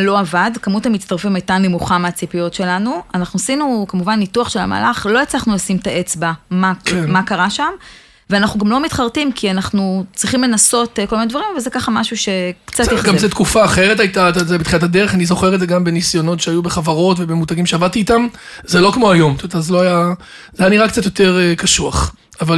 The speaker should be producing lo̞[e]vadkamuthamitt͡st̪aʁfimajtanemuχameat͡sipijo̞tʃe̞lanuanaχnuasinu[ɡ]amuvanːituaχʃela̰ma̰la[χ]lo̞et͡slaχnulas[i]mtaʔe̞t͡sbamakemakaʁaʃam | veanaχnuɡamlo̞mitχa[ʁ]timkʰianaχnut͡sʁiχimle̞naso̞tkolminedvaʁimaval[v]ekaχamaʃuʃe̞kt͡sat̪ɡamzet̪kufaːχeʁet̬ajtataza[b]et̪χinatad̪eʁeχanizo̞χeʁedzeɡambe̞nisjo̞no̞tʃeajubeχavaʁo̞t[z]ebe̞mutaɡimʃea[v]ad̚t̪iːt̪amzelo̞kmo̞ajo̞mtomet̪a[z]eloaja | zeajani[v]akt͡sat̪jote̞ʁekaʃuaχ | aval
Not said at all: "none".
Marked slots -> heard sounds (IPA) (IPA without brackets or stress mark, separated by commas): a, k, χ, i, ʁ, z, b, v, v, z, ʁ